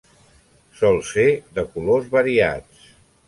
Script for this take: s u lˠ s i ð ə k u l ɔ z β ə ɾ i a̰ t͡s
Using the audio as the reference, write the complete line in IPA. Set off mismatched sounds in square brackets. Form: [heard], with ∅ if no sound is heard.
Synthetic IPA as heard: s [ɔ] lˠ s [e] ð ə k u l [o] z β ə ɾ i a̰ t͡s